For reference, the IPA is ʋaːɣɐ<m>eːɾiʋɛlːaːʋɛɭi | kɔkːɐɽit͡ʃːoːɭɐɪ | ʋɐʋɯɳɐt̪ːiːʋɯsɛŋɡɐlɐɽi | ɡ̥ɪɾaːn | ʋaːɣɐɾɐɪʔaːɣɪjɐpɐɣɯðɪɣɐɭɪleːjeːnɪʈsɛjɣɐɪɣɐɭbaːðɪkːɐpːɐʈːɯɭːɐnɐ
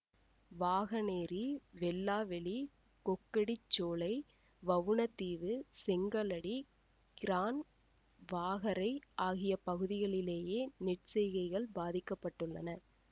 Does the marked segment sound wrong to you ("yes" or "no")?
yes